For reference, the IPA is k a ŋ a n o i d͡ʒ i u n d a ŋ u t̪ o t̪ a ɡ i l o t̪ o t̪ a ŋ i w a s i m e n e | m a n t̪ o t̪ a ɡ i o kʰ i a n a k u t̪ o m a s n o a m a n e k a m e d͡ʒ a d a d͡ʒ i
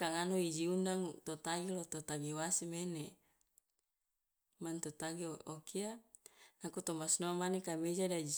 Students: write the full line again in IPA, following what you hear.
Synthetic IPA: k a ŋ a n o i d͡ʒ i u n d a ŋ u t̪ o t̪ a ɡ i l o t̪ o t̪ a ɡ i w a s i m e n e | m a n t̪ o t̪ a ɡ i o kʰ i a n a k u t̪ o m a s n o a m a n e k a m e d͡ʒ a d a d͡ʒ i